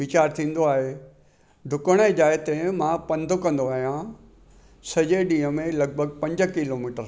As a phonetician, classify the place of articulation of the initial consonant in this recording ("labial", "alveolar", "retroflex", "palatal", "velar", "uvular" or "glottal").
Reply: labial